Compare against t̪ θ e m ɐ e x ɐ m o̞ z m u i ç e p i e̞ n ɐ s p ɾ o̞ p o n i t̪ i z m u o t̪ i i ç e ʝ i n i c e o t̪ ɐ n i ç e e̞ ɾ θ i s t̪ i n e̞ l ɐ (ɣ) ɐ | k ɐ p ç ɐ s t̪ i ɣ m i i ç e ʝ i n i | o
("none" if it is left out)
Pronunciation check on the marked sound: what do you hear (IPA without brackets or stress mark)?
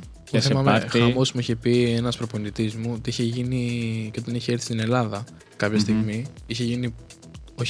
ð